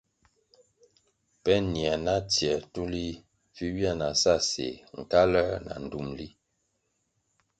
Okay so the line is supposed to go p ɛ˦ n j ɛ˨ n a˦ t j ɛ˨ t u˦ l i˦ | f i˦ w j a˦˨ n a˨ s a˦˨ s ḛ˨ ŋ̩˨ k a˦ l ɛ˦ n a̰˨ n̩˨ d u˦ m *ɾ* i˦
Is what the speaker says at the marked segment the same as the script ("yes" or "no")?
no